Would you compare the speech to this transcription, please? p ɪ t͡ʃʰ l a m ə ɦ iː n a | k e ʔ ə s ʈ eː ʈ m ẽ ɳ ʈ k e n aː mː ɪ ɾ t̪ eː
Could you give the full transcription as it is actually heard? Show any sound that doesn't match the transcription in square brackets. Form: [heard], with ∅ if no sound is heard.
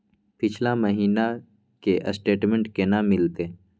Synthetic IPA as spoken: p ɪ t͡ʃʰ l a m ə ɦ iː n a | k e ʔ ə s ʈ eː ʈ m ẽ ɳ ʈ k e n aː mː ɪ [l] t̪ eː